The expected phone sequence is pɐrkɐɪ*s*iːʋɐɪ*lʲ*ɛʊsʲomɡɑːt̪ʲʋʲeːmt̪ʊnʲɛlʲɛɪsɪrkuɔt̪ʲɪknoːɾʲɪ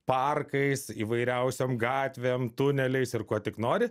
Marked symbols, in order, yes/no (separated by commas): yes, no